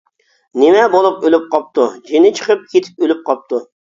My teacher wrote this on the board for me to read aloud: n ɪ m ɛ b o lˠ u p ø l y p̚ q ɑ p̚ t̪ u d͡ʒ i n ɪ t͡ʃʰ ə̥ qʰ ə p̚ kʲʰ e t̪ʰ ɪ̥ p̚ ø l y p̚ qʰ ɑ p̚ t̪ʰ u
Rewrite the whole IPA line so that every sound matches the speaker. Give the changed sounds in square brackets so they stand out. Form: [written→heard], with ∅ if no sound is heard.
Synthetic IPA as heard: n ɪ m ɛ b o lˠ u p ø l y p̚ q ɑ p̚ t̪ u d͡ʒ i n ɪ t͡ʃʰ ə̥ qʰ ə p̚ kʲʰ e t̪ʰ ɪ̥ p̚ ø l y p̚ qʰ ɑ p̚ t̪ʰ u